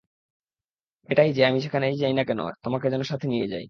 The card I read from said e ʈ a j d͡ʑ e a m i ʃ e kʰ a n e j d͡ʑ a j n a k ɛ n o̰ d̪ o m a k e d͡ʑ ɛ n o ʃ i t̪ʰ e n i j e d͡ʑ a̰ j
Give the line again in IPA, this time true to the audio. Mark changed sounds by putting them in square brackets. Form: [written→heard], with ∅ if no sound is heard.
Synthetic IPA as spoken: e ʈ a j d͡ʑ e a m i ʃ e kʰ a n e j d͡ʑ a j n a k ɛ n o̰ [d̪→t̪] o m a k e d͡ʑ ɛ n o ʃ [i→a] t̪ʰ e n i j e d͡ʑ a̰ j